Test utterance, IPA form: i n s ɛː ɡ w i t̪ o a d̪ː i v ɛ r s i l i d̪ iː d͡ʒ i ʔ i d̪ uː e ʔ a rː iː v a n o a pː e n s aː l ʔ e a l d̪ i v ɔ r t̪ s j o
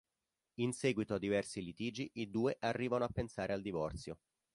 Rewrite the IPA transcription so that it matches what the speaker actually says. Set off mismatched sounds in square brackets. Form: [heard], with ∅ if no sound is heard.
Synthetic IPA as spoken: i n s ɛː ɡ w i t̪ o a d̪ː i v ɛ r s i l i [t̪] iː d͡ʒ i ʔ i d̪ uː e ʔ a rː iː v a n o a pː e n s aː [ɾ] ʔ e a l d̪ i v ɔ r t̪ s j o

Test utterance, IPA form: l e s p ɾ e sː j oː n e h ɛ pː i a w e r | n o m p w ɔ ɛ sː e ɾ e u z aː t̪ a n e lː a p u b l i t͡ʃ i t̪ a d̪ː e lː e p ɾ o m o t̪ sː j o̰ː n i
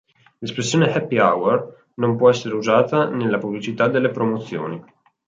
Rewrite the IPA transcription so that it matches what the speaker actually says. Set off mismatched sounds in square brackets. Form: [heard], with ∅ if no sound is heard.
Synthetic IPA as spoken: l e s p ɾ e sː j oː n e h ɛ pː i a w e r | n o m p w ɔ ɛ sː e ɾ e u z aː t̪ a n e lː a p u b l i t͡ʃ i t̪ a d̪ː e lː e p ɾ o m o t̪ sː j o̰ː n i

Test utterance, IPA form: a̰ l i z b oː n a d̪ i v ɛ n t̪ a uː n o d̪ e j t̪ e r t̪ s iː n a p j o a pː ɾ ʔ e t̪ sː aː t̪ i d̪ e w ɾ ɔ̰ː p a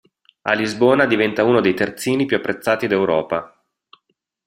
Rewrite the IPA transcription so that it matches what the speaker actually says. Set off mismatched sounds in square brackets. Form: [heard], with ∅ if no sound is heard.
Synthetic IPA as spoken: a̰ l i z b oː n a d̪ i v ɛ n t̪ a uː n o d̪ e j t̪ e r t̪ s iː n [i] p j [u] a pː ɾ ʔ e t̪ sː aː t̪ i d̪ e w ɾ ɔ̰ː p a

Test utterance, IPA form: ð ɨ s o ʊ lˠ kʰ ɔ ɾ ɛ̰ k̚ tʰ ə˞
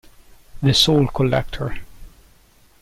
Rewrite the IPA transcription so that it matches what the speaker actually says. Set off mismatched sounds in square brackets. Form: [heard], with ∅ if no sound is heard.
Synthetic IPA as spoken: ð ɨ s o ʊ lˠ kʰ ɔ [l] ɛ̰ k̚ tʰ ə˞

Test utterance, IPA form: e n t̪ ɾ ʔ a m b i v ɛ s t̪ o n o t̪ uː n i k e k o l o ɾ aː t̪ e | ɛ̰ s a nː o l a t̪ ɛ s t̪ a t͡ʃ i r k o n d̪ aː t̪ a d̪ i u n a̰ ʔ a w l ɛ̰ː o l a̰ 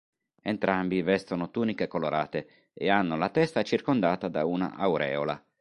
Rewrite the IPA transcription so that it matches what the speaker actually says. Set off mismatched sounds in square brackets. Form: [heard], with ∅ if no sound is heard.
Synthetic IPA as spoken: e n t̪ ɾ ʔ a m b i v ɛ s t̪ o n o t̪ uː n i k e k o l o ɾ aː t̪ e | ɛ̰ [∅] a nː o l a t̪ ɛ s t̪ a t͡ʃ i r k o n d̪ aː t̪ a d̪ [a] u n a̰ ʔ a w [ɾ] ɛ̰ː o l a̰

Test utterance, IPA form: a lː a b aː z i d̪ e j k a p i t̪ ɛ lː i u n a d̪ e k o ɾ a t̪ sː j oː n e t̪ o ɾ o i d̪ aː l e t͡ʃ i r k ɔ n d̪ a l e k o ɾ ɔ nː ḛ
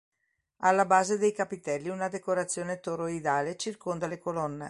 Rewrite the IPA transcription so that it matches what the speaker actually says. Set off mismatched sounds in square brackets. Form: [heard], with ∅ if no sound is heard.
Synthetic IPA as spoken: a lː a b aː z [e] d̪ e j k a p i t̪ ɛ lː i u n a d̪ e k o ɾ a t̪ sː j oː n e t̪ o ɾ o i d̪ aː l e t͡ʃ i r k [o] n d̪ a l e k o [l] ɔ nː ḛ

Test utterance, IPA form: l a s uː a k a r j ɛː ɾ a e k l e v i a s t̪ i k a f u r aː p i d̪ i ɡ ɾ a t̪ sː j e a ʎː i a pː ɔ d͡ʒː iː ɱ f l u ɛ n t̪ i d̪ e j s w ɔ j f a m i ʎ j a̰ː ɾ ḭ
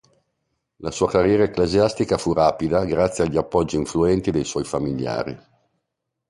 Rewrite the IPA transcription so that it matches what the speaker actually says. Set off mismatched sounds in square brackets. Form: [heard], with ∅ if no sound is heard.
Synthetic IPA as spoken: l a s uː a k a r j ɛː ɾ a e k l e [z] i a s t̪ i k a f u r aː p i d̪ [a] ɡ ɾ a t̪ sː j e a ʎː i a pː ɔ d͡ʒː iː ɱ f l u ɛ n t̪ i d̪ e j s w ɔ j f a m i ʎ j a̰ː ɾ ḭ

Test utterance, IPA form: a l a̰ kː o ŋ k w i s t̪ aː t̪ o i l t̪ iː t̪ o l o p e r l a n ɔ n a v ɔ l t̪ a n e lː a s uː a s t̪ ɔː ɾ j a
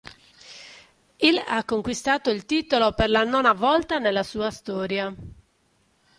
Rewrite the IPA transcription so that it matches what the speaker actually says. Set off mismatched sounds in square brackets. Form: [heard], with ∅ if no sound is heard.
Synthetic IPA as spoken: [i] l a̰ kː o ŋ k w i s t̪ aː t̪ o i l t̪ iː t̪ o l o p e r l a n ɔ n a v ɔ l t̪ a n e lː a s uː a s t̪ ɔː ɾ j a

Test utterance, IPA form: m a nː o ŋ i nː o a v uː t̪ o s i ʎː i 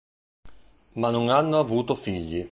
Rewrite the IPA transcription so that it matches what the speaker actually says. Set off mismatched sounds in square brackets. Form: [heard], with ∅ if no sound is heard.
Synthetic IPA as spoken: m a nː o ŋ [a] nː o a v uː t̪ o [f] i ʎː i

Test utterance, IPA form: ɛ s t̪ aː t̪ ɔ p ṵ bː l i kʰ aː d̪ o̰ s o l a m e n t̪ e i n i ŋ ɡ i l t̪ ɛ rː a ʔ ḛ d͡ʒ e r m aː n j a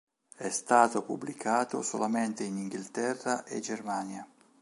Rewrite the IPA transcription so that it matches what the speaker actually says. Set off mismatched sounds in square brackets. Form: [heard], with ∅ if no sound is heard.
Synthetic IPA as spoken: ɛ s t̪ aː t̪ [o] p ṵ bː l i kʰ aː [t̪] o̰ s o l a m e n t̪ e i n i ŋ ɡ i l t̪ ɛ rː a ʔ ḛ d͡ʒ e r m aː n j a

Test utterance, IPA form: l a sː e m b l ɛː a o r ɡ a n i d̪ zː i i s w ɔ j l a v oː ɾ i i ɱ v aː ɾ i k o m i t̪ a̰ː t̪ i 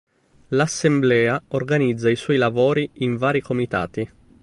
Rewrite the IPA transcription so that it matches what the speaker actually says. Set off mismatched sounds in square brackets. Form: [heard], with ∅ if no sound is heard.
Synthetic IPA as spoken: l a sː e m b l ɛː a o r ɡ a n i d̪ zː [a] i s w ɔ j l a v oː ɾ i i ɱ v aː ɾ i k o m i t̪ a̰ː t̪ i

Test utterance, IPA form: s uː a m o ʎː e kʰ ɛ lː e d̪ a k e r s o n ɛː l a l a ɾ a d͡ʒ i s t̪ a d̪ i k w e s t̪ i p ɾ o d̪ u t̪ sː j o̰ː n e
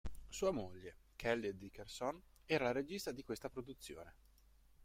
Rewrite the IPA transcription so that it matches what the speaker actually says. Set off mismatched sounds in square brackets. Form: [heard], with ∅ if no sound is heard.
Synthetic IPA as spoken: s uː a m o ʎː e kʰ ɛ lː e d̪ [i] k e r s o n ɛː [ɾ] a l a ɾ [e] d͡ʒ i s t̪ a d̪ i k w e s t̪ [a] p ɾ o d̪ u t̪ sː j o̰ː n e

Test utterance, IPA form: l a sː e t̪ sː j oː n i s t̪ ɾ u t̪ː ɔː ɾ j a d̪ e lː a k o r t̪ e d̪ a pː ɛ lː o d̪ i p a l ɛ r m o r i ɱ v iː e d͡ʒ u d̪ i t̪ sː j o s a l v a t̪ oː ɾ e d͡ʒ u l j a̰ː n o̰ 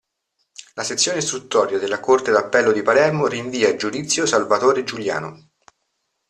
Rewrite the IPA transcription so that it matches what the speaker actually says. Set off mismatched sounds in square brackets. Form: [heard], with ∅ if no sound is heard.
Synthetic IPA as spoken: l a [s] e t̪ sː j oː n [e] s t̪ ɾ u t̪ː ɔː ɾ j a d̪ e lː a k o r t̪ e d̪ a pː ɛ lː o d̪ i p a l ɛ r m o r i ɱ v iː [a] d͡ʒ u d̪ i t̪ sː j o s a l v a t̪ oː ɾ e d͡ʒ u l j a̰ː n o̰

